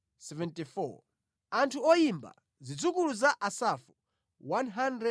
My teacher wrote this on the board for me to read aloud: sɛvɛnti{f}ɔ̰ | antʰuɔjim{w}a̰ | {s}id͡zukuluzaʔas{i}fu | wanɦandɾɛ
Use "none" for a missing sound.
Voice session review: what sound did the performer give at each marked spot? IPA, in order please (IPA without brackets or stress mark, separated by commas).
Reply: f, b, z, a